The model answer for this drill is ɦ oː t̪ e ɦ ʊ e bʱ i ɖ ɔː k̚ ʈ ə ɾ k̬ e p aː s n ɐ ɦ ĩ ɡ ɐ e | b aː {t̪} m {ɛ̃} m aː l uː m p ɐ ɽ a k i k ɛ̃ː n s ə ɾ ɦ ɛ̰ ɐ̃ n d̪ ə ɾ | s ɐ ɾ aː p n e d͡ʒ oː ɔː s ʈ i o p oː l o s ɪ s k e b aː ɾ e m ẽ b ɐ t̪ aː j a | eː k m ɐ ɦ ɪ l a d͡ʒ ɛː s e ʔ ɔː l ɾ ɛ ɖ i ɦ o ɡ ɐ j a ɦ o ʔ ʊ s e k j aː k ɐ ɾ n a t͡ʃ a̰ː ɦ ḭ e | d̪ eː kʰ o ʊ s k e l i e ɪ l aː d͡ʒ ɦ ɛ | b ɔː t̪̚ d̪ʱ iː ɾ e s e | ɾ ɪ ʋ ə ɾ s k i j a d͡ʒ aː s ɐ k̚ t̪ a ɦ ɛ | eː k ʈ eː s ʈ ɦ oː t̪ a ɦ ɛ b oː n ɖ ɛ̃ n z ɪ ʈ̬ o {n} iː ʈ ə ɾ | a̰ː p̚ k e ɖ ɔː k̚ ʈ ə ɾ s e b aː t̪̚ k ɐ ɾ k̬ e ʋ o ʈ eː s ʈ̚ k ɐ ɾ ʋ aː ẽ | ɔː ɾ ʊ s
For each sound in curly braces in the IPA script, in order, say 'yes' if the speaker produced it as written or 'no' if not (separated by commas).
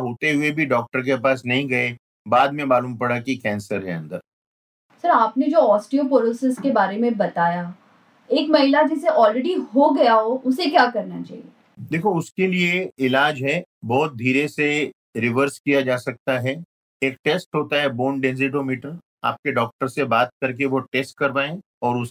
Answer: no, no, no